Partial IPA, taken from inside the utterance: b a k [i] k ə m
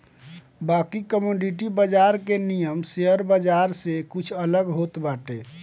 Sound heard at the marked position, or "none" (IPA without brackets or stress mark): i